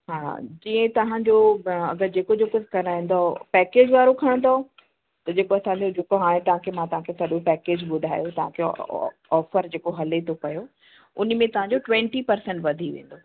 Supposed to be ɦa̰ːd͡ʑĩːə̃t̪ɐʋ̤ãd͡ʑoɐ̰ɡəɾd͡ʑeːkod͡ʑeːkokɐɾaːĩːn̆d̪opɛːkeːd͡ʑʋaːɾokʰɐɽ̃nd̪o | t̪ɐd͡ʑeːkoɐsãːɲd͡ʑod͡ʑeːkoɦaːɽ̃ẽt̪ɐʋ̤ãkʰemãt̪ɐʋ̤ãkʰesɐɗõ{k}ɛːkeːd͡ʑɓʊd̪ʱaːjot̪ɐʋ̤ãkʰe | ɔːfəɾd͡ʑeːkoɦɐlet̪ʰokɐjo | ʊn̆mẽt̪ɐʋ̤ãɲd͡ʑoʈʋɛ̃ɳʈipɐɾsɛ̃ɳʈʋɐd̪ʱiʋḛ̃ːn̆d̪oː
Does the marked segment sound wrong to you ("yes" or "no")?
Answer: yes